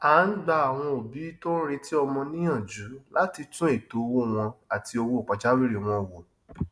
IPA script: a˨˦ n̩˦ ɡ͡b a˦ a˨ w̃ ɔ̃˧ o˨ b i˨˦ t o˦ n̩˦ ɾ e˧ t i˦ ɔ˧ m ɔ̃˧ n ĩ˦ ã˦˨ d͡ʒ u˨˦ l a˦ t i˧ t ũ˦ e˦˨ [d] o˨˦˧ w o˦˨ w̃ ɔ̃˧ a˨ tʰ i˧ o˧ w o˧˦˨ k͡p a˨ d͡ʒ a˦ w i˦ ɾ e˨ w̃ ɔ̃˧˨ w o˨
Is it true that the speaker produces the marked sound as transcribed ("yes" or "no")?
no